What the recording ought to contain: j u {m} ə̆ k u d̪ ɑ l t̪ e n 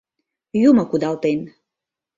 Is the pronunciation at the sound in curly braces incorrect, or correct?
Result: correct